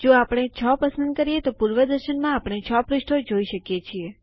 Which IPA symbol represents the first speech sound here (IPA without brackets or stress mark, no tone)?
d͡ʒ